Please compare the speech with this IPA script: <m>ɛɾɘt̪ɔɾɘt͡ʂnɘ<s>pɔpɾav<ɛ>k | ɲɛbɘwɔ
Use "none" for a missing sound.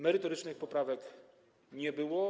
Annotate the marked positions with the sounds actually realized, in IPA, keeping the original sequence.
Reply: m, x, ɛ

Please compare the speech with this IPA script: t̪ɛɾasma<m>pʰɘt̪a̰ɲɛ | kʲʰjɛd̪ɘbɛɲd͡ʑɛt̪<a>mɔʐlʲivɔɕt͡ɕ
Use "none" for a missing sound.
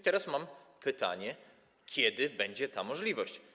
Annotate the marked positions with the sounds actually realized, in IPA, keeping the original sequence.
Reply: m, a

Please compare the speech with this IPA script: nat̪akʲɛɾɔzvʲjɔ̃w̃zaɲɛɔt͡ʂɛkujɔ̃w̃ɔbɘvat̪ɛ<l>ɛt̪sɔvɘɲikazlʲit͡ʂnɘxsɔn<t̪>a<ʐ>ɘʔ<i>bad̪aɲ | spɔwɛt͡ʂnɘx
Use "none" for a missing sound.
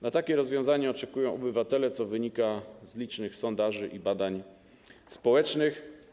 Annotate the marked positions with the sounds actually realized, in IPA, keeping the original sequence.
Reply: l, d̪, ʐ, i

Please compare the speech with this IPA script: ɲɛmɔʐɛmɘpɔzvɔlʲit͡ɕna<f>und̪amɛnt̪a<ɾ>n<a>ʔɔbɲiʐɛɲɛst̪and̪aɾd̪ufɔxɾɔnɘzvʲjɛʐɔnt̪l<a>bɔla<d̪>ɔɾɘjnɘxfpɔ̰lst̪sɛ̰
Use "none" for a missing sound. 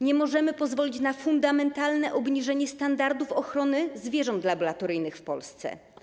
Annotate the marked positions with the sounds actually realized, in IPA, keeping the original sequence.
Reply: f, l, ɛ, a, t̪

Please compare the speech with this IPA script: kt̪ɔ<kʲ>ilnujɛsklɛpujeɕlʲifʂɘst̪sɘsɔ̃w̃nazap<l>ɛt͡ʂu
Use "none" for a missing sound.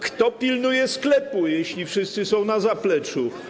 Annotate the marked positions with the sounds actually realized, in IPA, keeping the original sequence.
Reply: pʲ, l

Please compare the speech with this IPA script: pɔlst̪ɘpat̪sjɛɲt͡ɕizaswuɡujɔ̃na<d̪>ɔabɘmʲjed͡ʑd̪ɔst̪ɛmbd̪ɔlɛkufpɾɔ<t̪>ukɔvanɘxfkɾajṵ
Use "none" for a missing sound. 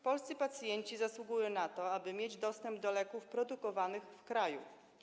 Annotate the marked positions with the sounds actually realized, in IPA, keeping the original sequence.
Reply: t̪, d̪

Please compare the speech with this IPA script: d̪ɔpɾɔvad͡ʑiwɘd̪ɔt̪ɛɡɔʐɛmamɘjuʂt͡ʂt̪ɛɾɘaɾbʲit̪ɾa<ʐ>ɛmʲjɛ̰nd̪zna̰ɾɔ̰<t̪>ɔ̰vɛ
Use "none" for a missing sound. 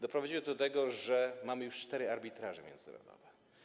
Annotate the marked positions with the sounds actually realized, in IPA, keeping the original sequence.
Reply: ʐ, d̪

